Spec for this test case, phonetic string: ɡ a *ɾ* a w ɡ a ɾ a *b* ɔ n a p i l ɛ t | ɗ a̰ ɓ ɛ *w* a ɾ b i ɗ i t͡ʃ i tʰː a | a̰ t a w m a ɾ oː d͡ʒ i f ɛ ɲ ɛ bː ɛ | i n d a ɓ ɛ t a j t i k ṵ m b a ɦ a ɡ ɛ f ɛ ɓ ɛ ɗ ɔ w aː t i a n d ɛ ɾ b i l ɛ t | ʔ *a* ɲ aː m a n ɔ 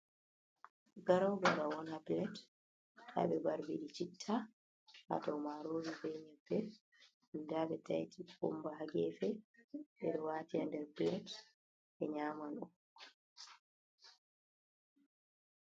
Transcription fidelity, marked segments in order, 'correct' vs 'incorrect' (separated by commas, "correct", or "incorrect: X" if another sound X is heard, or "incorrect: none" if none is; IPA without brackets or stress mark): correct, incorrect: w, incorrect: b, incorrect: ɛ